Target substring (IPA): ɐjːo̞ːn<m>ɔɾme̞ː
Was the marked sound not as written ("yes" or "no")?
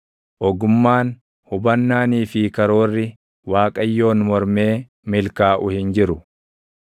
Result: no